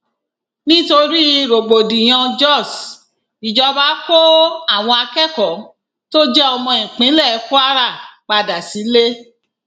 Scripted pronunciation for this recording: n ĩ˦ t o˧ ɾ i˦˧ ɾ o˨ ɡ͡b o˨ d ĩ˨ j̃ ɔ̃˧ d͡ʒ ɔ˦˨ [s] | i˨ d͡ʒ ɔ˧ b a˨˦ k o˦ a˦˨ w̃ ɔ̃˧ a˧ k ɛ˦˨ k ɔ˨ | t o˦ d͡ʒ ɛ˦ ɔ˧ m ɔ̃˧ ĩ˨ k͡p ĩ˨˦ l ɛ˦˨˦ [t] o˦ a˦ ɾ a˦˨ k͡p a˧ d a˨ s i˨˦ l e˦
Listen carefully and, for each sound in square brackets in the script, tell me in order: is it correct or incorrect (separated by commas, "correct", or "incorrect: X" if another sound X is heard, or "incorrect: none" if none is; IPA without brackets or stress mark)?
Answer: correct, incorrect: k